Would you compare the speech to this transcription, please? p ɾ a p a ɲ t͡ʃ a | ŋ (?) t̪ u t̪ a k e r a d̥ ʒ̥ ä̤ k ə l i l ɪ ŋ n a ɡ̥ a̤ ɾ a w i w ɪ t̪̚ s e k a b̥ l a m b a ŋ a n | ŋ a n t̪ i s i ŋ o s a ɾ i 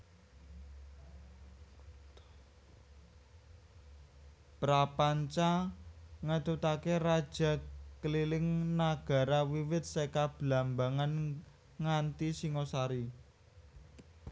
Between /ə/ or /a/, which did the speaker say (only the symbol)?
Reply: ə